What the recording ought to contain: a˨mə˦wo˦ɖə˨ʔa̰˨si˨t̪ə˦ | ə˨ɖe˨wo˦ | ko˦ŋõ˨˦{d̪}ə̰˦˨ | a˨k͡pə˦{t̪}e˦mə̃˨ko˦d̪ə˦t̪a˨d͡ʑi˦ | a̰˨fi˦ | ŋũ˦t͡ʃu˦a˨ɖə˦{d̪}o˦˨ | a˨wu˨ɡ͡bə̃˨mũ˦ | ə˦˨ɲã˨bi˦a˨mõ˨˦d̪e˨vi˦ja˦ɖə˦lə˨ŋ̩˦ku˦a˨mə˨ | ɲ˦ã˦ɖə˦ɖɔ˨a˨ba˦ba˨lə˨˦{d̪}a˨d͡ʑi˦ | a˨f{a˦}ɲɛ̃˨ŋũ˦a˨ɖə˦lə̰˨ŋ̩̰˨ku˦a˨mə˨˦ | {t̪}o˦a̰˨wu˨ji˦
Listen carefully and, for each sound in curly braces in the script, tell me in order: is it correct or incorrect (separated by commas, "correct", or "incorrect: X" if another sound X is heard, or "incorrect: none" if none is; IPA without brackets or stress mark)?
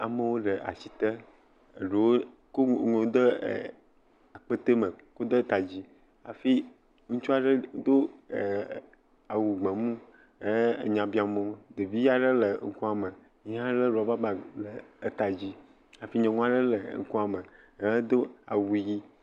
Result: correct, correct, correct, incorrect: t̪, incorrect: i˦, incorrect: d̪